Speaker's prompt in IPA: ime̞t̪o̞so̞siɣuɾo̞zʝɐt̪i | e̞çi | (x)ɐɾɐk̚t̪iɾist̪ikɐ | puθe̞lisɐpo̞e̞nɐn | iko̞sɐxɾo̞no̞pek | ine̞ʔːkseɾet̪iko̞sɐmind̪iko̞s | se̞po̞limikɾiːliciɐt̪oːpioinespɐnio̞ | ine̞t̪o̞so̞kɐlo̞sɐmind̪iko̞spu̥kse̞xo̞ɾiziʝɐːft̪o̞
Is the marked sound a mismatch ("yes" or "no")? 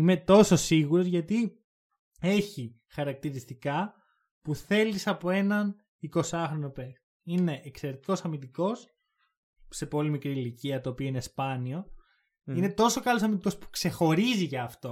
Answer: no